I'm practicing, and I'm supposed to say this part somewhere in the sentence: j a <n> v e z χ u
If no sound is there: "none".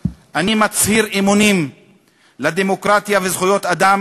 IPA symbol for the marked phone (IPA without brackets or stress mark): none